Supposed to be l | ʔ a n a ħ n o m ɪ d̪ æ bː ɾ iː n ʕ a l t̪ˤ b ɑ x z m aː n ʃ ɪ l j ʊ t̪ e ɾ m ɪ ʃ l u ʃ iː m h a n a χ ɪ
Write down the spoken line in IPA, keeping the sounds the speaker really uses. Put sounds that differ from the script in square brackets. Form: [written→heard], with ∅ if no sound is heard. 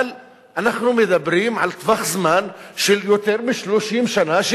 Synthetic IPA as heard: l | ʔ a n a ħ n [o→u] m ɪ d̪ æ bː ɾ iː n ʕ a l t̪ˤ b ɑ x z m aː n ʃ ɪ l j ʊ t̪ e ɾ m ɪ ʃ l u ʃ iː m [h→ʃ] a n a [χ→ʃ] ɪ